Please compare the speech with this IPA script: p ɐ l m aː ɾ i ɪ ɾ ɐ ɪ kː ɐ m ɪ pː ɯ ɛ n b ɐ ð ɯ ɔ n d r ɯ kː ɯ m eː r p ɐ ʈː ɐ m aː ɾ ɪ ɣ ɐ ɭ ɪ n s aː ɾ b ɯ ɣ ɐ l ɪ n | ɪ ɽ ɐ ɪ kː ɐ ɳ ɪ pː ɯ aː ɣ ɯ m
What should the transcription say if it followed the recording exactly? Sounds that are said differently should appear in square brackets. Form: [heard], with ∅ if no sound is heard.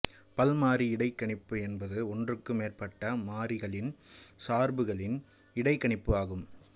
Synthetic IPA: p ɐ l m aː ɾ i ɪ [ɽ] ɐ ɪ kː ɐ [ɳ] ɪ pː ɯ ɛ n b ɐ ð ɯ ɔ n d r ɯ kː ɯ m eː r p ɐ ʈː ɐ m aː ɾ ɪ ɣ ɐ ɭ ɪ n s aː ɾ b ɯ ɣ ɐ [ɭ] ɪ n | ɪ ɽ ɐ ɪ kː ɐ ɳ ɪ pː ɯ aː ɣ ɯ m